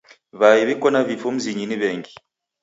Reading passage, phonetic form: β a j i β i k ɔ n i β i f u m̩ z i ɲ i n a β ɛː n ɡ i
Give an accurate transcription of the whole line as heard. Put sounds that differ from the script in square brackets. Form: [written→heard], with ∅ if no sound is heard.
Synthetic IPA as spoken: β a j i β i k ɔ n [i→a] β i f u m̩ z i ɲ i n [a→i] β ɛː [n→ŋ] ɡ i